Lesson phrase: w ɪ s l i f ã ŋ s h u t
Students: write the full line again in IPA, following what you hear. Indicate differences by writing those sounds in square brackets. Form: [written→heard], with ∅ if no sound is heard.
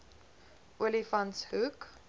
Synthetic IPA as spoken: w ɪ [s→∅] l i f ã [ŋ→n] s h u [t→k]